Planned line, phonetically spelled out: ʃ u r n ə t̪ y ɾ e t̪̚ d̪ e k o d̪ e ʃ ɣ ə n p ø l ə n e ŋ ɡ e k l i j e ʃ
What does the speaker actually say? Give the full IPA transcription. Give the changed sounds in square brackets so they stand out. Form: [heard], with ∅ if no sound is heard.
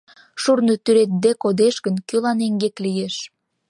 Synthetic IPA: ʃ u r n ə t̪ y ɾ e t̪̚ d̪ e k o d̪ e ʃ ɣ ə n [k] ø l [ɑ] n e ŋ ɡ e k l i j e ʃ